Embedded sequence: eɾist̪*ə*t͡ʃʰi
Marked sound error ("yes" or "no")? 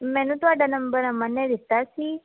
yes